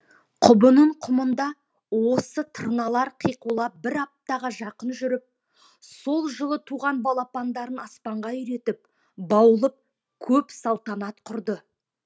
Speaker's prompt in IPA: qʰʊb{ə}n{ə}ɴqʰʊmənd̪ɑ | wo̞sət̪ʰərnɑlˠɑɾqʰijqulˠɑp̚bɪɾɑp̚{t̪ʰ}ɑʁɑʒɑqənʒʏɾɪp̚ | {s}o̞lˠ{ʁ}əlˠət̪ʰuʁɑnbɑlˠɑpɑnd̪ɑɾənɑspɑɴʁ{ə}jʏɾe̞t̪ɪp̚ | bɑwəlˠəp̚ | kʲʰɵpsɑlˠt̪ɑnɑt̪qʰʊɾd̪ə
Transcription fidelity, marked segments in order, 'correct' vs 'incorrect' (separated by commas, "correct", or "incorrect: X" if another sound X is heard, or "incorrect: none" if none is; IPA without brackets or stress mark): correct, correct, incorrect: t̪, correct, incorrect: ʒ, incorrect: ɑ